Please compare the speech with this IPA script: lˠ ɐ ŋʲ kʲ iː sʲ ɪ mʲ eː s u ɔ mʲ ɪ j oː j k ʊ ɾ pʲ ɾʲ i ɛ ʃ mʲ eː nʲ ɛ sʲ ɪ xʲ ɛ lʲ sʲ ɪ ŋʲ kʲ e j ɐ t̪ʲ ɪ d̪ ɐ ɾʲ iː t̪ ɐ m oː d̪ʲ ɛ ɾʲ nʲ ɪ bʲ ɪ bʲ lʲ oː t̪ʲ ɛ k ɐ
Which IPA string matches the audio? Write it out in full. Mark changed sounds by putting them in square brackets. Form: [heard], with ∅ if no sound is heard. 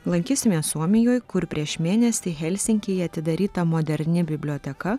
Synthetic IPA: lˠ ɐ ŋʲ kʲ iː sʲ ɪ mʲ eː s u ɔ mʲ ɪ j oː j k ʊ ɾ pʲ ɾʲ i ɛ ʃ mʲ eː nʲ ɛ sʲ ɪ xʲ ɛ lʲ sʲ ɪ ŋʲ kʲ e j ɐ t̪ʲ ɪ d̪ ɐ ɾʲ iː t̪ ɐ m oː d̪ʲ ɛ ɾʲ nʲ ɪ bʲ ɪ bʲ lʲ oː t̪ʲ ɛ k ɐ